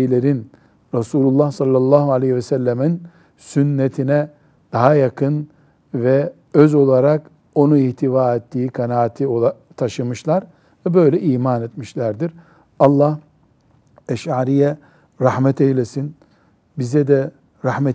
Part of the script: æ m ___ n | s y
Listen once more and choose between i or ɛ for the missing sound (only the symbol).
i